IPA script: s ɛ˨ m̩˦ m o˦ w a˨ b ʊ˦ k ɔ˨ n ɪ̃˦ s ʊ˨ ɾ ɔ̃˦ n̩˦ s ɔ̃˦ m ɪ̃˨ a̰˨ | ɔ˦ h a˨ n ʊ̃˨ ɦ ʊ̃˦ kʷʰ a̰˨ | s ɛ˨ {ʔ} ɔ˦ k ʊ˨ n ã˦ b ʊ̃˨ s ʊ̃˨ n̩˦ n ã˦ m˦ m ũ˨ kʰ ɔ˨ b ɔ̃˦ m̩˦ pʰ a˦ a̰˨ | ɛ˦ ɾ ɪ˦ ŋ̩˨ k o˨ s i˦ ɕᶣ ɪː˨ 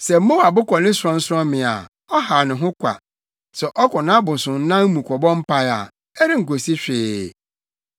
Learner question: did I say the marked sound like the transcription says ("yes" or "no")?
yes